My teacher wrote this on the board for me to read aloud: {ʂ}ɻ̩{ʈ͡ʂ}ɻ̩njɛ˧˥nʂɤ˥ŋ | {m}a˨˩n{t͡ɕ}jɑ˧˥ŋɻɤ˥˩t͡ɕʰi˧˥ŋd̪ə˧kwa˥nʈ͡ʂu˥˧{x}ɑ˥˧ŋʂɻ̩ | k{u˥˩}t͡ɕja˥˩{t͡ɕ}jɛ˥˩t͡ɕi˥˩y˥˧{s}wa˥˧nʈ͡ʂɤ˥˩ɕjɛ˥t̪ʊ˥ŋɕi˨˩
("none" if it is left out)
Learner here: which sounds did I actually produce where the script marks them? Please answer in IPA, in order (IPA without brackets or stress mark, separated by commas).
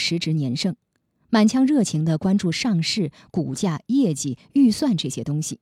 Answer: ʂ, ʈ͡ʂ, m, t͡ɕʰ, ʂ, u˨˩, none, s